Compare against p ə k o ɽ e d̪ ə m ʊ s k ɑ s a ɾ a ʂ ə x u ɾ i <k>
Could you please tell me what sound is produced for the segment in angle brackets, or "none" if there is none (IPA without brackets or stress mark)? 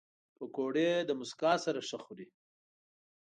none